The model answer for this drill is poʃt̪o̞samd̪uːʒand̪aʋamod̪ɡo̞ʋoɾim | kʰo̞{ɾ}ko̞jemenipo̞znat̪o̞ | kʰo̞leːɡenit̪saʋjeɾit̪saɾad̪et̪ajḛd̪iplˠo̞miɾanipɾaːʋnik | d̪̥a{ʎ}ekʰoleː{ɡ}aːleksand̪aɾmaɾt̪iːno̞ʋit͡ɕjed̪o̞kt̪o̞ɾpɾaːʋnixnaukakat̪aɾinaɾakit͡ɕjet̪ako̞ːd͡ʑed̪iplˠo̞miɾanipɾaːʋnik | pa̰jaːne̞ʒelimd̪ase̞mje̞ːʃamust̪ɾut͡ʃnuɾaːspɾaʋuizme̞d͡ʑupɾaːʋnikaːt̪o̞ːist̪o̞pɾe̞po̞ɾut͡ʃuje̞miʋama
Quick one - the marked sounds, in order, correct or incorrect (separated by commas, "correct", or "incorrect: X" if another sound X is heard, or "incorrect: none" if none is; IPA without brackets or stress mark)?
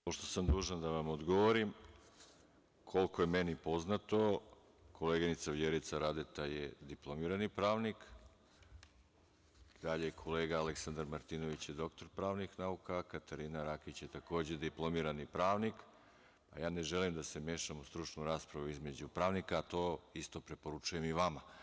incorrect: l, correct, correct